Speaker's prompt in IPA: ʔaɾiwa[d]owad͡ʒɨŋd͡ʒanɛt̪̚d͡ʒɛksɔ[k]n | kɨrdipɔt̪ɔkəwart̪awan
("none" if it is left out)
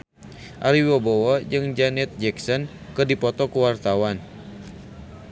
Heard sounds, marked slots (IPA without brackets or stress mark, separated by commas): b, none